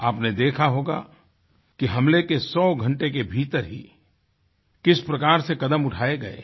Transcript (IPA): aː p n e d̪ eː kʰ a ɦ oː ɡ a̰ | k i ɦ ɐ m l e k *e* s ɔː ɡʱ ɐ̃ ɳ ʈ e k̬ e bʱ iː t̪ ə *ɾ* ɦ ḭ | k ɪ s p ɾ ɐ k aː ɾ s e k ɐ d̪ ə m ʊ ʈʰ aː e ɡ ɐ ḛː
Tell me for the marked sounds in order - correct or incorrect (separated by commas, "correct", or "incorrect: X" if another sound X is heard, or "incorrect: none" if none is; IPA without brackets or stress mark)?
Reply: correct, correct